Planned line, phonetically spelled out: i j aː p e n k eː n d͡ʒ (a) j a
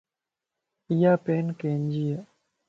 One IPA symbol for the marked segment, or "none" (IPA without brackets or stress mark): i